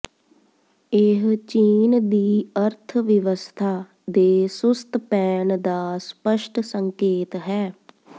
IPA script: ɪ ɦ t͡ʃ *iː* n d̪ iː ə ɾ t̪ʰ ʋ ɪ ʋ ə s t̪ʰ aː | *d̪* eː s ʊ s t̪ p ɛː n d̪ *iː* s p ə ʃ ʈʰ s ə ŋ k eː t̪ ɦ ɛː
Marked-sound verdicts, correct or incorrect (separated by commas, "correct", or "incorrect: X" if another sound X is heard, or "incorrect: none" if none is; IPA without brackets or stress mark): correct, correct, incorrect: aː